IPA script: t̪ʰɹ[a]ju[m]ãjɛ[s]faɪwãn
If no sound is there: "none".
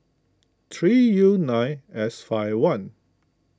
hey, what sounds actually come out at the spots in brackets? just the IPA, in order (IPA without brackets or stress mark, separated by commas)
i, n, s